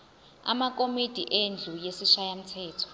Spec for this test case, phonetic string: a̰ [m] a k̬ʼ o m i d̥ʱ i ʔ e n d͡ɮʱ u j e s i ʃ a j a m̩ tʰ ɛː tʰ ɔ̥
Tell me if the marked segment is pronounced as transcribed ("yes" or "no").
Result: yes